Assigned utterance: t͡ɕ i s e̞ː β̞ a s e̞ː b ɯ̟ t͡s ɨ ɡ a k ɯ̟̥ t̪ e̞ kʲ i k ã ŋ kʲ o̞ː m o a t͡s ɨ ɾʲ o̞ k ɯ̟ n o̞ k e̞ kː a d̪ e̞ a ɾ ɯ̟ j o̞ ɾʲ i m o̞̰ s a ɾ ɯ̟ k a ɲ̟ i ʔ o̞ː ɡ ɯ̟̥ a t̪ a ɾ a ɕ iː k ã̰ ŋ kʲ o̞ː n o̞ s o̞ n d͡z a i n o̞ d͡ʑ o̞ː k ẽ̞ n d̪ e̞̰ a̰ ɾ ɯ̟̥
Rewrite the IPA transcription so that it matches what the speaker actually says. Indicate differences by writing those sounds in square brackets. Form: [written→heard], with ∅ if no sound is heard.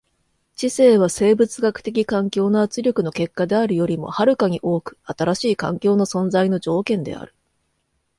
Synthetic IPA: t͡ɕ i s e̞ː β̞ a s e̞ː b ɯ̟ t͡s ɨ ɡ a k ɯ̟̥ t̪ e̞ kʲ i k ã ŋ kʲ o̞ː [m→n] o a t͡s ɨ ɾʲ o̞ k ɯ̟ n o̞ k e̞ kː a d̪ e̞ a ɾ ɯ̟ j o̞ ɾʲ i m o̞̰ [s→h] a ɾ ɯ̟ k a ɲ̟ i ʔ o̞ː [ɡ→k] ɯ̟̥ a t̪ a ɾ a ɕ iː k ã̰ ŋ kʲ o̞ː n o̞ s [o̞→õ̞] n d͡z a i n o̞ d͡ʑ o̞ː k ẽ̞ n d̪ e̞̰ a̰ ɾ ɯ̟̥